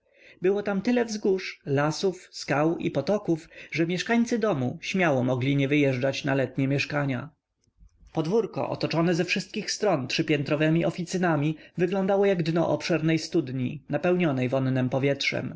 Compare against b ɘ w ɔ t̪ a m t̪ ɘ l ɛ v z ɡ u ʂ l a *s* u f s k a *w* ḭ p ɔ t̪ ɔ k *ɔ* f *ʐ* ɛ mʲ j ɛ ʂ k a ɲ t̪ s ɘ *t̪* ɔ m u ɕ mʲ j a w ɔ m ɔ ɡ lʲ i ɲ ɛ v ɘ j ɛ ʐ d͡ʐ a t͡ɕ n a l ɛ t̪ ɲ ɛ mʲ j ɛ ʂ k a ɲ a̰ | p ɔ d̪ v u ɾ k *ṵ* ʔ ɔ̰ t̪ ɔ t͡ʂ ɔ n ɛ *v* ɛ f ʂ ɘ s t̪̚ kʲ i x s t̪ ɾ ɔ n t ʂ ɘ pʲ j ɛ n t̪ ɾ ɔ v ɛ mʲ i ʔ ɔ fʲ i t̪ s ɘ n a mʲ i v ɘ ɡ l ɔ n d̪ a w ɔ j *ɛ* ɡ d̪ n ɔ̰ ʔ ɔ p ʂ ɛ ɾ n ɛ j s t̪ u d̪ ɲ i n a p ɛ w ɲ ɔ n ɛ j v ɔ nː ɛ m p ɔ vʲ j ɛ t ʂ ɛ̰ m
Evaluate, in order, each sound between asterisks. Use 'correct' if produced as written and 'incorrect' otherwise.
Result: correct, correct, incorrect, correct, incorrect, incorrect, incorrect, incorrect

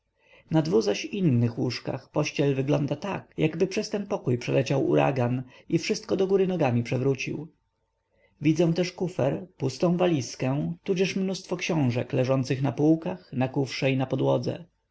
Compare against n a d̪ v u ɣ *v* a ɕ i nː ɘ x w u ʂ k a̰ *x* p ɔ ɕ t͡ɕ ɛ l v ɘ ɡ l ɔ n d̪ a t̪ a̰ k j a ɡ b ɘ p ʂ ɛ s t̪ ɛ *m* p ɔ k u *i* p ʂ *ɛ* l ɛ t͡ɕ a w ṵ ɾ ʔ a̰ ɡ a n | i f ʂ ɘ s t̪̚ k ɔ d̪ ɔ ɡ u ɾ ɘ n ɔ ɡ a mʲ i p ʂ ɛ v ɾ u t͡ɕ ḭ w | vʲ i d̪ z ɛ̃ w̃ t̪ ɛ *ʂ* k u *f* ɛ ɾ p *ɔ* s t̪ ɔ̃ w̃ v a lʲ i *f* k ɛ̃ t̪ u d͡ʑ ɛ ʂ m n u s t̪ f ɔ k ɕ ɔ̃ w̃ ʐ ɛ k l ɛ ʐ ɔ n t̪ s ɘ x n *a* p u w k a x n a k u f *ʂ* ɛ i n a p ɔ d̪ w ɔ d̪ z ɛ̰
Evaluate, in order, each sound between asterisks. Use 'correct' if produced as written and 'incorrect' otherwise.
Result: incorrect, correct, incorrect, incorrect, correct, correct, correct, incorrect, incorrect, correct, correct

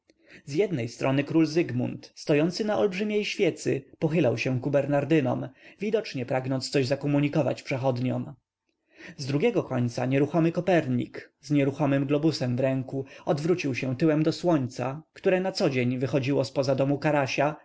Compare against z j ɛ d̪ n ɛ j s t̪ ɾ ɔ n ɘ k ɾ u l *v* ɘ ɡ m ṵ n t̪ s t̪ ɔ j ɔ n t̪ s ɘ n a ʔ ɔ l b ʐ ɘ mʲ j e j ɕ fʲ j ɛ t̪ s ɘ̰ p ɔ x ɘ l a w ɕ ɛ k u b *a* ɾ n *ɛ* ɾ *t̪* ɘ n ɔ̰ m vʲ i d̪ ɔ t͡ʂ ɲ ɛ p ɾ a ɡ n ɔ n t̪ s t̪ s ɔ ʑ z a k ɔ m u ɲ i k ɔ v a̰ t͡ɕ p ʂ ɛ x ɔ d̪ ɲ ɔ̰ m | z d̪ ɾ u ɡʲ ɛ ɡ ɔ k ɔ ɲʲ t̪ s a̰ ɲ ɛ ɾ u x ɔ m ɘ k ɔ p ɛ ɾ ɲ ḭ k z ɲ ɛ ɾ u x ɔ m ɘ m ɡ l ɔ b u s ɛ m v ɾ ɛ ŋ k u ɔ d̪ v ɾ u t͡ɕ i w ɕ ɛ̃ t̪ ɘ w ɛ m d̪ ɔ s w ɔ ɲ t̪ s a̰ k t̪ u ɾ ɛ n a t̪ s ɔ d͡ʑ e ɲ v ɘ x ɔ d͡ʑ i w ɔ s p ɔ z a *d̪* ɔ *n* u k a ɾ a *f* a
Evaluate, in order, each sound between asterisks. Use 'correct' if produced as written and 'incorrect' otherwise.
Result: incorrect, incorrect, incorrect, incorrect, correct, incorrect, incorrect

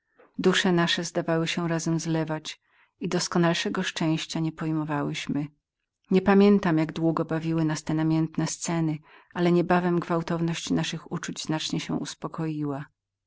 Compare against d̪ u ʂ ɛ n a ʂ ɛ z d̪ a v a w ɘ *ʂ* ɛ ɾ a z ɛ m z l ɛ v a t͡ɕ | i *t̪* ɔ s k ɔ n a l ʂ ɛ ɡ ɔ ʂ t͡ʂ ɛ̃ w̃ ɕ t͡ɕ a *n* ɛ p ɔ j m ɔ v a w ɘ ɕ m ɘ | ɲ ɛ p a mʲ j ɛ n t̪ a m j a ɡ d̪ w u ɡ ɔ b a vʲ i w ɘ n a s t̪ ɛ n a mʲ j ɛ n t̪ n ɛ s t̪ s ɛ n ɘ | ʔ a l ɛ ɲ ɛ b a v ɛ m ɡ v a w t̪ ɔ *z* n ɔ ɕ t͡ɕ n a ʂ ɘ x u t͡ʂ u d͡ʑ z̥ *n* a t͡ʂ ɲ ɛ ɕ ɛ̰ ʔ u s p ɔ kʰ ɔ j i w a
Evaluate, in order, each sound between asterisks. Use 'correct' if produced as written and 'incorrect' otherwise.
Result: incorrect, incorrect, incorrect, incorrect, correct

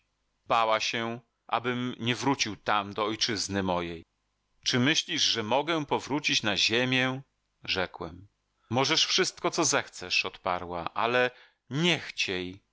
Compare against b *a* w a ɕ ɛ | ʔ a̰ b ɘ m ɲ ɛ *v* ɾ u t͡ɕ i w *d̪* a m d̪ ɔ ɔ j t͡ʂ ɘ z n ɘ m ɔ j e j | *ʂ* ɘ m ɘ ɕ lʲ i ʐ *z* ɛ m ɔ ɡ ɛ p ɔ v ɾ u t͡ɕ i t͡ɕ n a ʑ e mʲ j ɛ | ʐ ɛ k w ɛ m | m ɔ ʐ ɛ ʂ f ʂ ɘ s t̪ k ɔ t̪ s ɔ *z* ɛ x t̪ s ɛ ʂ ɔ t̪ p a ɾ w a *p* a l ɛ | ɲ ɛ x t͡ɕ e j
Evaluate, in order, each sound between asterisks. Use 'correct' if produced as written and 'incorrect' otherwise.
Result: correct, correct, incorrect, incorrect, incorrect, correct, incorrect

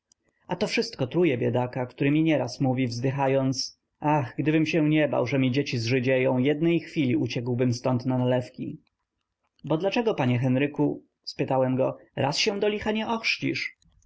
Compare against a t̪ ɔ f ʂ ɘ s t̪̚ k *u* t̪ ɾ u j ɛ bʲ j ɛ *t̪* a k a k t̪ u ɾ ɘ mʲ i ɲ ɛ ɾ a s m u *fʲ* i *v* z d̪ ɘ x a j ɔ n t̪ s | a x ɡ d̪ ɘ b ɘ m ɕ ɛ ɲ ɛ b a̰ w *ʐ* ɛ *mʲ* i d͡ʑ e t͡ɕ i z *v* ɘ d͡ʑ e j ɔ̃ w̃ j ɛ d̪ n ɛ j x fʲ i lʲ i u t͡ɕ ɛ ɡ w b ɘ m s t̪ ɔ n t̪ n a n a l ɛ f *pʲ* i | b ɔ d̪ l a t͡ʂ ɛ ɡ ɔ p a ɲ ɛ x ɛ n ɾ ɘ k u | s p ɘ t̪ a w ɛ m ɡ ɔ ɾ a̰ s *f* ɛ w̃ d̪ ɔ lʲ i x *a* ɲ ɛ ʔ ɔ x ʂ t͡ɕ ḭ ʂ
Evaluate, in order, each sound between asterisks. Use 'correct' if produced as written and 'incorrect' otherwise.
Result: incorrect, incorrect, incorrect, correct, correct, correct, incorrect, incorrect, incorrect, correct

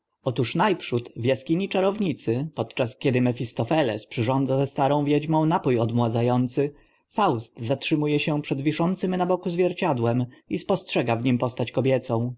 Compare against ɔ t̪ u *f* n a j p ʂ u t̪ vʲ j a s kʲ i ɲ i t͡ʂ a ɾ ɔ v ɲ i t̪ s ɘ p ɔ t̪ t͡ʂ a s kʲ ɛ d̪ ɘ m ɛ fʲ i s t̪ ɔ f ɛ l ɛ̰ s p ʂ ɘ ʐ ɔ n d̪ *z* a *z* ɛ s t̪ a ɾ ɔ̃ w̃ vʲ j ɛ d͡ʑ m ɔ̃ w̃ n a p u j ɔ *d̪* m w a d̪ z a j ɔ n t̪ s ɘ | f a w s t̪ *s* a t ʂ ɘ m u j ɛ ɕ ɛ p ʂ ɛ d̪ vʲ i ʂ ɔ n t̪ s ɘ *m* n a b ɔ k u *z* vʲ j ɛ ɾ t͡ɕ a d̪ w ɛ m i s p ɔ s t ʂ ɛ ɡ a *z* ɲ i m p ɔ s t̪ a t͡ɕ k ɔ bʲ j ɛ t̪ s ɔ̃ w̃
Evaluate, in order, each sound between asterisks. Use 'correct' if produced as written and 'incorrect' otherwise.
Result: incorrect, correct, correct, correct, incorrect, correct, correct, incorrect

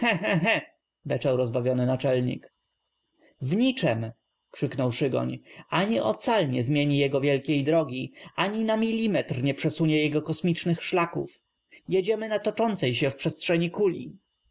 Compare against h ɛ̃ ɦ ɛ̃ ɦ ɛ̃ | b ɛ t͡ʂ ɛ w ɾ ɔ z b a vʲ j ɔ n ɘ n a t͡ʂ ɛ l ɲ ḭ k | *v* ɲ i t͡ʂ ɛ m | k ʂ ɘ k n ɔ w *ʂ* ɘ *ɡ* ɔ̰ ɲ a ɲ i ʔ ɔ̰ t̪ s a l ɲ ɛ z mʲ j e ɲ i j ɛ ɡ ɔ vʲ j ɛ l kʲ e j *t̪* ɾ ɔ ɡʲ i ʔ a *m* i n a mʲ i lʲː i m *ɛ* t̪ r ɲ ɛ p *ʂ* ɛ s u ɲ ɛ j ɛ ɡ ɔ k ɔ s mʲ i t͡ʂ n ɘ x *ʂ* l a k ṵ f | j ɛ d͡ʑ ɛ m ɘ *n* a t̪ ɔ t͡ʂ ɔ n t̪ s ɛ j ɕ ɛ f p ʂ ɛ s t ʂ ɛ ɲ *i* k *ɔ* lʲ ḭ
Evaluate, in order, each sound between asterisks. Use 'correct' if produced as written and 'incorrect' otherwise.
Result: correct, correct, correct, incorrect, incorrect, correct, correct, correct, correct, correct, incorrect

